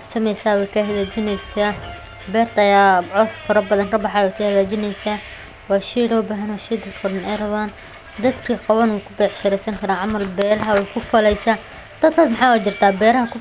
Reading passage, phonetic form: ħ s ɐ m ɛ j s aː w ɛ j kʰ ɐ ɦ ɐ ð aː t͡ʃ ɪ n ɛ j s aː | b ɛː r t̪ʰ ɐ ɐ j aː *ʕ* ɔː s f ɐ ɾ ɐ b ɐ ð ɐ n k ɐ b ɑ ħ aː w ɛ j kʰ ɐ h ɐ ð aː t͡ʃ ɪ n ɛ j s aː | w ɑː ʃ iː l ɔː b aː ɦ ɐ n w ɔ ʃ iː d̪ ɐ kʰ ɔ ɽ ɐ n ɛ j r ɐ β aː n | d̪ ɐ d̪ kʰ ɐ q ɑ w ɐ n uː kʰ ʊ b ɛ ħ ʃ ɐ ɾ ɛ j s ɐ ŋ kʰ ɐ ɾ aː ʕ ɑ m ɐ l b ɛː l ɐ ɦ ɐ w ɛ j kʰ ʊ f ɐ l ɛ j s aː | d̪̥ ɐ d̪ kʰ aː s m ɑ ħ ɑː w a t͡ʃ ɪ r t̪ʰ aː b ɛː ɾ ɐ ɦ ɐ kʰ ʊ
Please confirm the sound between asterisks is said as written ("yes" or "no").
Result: yes